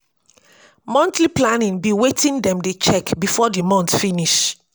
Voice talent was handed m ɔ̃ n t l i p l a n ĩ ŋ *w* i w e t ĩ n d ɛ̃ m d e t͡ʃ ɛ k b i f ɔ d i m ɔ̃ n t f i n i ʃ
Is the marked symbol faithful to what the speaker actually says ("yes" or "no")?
no